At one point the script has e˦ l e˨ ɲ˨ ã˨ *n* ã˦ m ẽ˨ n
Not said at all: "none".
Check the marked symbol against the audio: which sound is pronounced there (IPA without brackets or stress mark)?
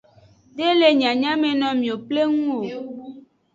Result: ɲ